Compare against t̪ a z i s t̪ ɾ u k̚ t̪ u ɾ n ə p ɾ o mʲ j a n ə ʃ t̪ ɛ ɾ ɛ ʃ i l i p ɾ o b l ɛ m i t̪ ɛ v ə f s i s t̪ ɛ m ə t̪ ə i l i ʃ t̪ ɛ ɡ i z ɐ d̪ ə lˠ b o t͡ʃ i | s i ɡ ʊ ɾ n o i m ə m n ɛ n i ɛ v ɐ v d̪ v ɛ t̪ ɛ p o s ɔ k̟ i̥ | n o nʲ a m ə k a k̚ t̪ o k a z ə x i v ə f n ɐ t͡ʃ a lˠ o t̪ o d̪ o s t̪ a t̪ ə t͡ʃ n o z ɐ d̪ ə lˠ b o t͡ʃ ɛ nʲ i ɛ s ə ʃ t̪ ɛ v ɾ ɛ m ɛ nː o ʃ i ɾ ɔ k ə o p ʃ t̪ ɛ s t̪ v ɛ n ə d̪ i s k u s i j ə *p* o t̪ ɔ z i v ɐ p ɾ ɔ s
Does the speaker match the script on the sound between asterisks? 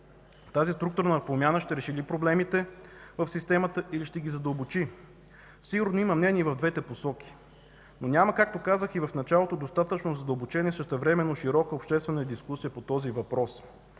yes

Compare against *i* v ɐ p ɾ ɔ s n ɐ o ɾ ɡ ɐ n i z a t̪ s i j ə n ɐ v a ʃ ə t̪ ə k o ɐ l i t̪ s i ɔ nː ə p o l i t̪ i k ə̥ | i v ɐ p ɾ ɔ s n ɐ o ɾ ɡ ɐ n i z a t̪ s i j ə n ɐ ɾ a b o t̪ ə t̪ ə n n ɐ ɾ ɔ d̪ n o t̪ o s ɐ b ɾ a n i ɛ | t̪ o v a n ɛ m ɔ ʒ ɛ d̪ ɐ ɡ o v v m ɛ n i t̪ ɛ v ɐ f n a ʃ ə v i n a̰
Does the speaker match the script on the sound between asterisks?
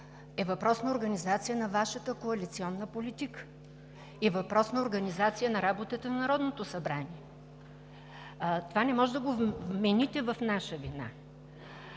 no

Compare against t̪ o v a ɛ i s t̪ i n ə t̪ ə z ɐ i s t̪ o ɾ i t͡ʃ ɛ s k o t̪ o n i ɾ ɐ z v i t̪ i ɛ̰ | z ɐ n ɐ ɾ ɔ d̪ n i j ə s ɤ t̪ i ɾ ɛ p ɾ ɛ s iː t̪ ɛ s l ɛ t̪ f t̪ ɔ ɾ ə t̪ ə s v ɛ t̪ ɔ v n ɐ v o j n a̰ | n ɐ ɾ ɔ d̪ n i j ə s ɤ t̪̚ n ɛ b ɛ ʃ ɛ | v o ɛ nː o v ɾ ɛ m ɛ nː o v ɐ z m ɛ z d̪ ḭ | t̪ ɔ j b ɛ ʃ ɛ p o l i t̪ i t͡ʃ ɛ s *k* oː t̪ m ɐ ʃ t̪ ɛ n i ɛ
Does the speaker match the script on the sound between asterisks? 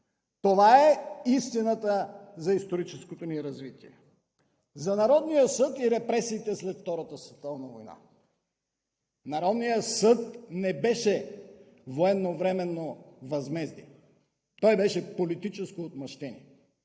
yes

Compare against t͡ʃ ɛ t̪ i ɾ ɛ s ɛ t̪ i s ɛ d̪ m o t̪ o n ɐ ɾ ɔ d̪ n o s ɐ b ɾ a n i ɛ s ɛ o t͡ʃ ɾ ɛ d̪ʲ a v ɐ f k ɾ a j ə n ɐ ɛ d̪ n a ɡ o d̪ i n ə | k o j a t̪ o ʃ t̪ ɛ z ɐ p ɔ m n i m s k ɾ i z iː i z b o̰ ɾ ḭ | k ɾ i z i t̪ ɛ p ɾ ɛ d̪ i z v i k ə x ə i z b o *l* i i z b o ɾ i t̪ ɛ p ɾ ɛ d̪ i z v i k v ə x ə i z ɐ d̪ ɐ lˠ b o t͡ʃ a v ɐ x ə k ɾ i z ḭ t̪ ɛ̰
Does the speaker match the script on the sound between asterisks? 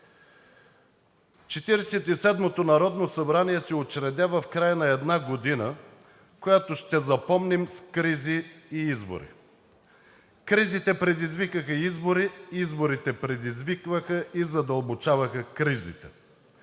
no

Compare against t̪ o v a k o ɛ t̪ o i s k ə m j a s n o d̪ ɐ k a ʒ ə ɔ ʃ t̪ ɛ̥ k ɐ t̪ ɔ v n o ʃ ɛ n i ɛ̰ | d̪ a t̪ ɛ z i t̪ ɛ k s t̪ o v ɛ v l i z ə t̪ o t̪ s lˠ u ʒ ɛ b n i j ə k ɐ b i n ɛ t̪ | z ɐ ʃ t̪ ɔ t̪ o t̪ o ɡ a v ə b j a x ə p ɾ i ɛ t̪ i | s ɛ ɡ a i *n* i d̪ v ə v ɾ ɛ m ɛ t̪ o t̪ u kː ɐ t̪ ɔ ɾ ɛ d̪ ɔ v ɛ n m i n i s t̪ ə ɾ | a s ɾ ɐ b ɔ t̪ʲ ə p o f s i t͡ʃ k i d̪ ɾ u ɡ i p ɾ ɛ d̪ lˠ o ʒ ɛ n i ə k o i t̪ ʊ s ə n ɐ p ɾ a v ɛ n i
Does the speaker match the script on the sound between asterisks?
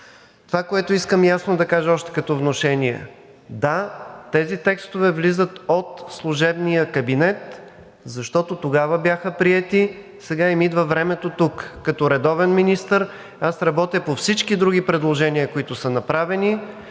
no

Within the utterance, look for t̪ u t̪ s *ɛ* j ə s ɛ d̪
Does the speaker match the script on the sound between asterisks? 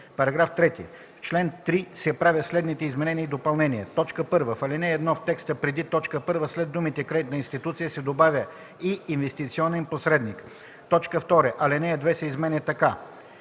no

